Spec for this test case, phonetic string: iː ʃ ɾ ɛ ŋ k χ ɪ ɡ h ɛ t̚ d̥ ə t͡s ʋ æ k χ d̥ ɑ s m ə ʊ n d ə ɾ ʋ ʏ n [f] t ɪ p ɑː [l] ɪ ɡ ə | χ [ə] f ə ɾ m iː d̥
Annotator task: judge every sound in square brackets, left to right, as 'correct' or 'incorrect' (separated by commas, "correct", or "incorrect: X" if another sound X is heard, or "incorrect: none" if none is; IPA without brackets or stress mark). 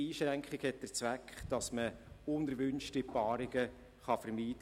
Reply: incorrect: ʃ, incorrect: ɾ, incorrect: ɑ